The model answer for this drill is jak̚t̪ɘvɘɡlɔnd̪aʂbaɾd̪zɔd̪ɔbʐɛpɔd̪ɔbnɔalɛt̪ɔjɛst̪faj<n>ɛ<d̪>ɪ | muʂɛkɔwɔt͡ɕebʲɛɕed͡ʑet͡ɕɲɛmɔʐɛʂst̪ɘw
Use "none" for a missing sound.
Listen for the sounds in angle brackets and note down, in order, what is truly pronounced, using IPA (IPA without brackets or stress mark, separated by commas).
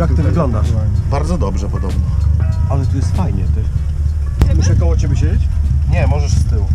ɲ, t̪